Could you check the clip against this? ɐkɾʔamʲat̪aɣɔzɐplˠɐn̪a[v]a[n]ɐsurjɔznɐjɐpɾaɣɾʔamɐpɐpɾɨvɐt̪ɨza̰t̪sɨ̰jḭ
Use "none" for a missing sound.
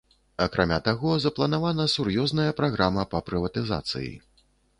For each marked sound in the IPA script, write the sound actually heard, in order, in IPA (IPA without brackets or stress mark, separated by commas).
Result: v, n